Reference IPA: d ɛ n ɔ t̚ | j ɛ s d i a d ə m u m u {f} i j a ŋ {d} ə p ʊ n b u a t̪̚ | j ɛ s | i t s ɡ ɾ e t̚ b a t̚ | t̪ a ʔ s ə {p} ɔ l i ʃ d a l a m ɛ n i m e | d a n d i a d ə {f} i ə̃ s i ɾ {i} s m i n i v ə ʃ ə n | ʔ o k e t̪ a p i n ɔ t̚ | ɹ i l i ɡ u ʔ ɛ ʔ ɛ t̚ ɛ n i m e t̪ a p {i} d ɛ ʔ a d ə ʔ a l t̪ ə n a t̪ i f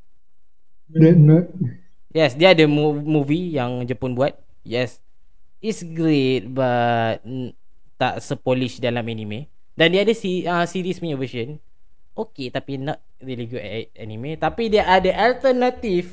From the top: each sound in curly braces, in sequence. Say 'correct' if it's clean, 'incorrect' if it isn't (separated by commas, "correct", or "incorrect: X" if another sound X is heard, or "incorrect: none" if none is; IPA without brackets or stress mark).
incorrect: v, incorrect: d͡ʒ, correct, incorrect: s, correct, correct